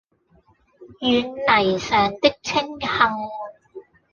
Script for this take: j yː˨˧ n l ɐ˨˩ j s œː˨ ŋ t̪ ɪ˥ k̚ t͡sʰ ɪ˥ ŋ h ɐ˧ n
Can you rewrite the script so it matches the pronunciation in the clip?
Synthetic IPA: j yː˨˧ n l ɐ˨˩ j s œː˨ ŋ t̪ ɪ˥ k̚ t͡sʰ ɪ˥ ŋ h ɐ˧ ŋ

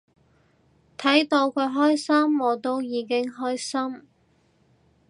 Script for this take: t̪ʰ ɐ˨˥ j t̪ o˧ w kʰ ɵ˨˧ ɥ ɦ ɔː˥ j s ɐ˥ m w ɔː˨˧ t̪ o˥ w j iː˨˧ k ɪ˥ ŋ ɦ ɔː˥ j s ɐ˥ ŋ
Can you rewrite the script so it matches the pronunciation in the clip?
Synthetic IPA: t̪ʰ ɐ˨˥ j t̪ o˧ w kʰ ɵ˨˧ ɥ ɦ ɔː˥ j s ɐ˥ m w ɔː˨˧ t̪ o˥ w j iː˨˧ k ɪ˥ ŋ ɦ ɔː˥ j s ɐ˥ m

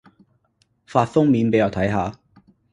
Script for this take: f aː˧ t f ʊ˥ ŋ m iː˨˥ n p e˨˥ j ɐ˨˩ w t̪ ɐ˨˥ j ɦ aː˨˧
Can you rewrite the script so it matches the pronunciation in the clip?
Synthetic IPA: f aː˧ t f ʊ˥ ŋ m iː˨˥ n p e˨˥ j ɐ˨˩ w t̪ʰ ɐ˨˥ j ɦ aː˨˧

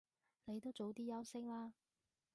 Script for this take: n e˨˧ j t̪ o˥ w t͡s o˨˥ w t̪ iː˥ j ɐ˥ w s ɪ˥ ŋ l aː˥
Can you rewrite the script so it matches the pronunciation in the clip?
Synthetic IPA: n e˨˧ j t̪ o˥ w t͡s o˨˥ w t̪ iː˥ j ɐ˥ w s ɪ˥ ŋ l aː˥

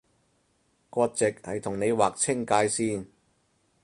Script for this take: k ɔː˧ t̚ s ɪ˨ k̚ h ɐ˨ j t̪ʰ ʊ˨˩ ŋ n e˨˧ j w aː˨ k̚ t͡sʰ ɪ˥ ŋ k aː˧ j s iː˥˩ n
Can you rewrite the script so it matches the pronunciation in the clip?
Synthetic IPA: k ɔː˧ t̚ t͡s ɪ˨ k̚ h ɐ˨ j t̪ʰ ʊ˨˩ ŋ n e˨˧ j w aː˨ k̚ t͡sʰ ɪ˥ ŋ k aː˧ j s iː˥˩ n

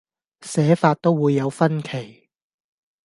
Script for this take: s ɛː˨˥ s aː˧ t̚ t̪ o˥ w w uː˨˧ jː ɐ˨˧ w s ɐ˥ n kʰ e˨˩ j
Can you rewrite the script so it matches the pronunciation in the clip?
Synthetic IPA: s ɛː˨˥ f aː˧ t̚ t̪ o˥ w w uː˨˧ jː ɐ˨˧ w f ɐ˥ n kʰ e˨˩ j

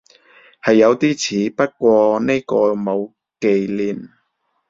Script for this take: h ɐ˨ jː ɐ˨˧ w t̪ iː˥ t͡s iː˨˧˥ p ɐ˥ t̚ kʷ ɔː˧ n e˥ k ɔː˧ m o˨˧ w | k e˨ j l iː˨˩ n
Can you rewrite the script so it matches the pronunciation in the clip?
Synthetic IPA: h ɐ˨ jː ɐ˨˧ w t̪ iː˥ t͡sʰ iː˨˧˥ p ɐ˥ t̚ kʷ ɔː˧ n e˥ k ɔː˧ m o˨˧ w | k e˨ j l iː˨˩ n

